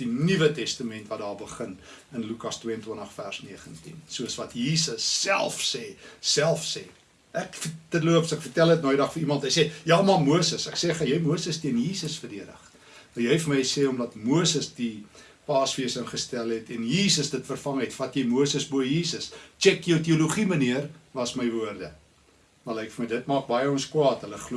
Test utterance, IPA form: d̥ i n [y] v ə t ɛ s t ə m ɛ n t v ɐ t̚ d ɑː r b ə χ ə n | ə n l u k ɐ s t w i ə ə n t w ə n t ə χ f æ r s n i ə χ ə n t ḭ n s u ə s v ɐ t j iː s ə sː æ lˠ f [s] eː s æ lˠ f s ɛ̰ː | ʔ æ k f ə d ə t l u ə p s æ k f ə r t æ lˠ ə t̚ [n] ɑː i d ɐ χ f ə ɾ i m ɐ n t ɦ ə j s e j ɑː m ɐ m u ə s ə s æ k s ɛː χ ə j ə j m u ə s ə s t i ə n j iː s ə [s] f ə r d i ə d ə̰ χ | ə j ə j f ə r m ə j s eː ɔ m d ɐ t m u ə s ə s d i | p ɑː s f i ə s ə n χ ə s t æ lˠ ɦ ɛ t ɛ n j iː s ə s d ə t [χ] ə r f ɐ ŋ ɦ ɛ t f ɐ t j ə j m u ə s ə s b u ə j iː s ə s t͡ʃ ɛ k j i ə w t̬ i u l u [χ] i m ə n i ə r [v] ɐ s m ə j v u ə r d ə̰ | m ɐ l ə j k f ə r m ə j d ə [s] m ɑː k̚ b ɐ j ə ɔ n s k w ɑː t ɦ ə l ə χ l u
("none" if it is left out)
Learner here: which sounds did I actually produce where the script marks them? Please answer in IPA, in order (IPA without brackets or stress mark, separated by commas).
i, s, n, s, f, χ, v, t